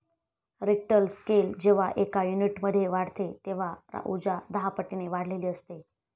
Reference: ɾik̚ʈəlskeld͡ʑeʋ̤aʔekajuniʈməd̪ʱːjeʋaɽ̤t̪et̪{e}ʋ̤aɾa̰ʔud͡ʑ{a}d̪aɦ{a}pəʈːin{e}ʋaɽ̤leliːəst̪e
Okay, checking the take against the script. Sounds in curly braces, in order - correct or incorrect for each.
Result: correct, correct, correct, correct

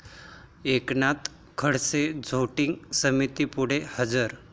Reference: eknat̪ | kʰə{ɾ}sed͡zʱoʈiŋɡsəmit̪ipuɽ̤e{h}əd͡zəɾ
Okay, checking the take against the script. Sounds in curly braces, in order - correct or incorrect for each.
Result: incorrect: ɽ, correct

